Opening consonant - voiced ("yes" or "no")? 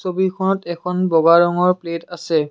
no